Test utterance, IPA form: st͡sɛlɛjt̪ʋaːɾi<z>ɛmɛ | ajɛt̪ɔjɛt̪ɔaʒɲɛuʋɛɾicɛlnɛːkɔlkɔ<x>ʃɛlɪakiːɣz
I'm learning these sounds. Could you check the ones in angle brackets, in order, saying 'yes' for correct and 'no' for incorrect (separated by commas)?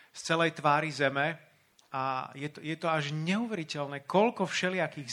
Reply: yes, no